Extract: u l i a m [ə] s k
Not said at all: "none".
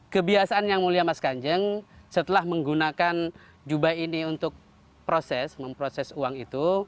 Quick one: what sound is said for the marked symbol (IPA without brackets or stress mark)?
a